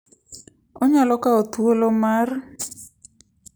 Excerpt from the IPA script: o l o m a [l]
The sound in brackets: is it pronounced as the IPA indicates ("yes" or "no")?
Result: no